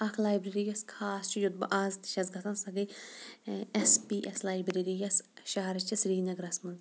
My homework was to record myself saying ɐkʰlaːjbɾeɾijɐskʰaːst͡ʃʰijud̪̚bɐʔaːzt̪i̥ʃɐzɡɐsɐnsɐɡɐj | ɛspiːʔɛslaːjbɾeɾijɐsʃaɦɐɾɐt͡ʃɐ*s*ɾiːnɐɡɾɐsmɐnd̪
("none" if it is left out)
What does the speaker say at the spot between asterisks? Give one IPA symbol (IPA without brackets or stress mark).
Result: s